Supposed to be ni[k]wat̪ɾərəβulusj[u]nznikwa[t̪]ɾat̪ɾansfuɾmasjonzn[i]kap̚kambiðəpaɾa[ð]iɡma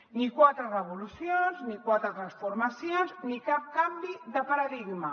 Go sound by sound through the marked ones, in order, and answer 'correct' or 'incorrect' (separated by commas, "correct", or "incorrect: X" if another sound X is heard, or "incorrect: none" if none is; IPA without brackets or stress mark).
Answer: correct, incorrect: o, correct, correct, correct